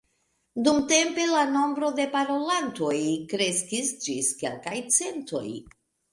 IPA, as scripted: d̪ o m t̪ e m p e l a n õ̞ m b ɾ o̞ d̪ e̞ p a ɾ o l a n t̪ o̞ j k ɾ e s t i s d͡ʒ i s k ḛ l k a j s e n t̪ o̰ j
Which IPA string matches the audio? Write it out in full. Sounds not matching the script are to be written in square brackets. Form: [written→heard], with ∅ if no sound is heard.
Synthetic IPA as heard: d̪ [o→u] m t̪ e m p e l a n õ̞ m b ɾ o̞ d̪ e̞ p a ɾ o l a n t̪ o̞ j k ɾ e s [t→k] i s d͡ʒ i s k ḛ l k a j [s→t͡s] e n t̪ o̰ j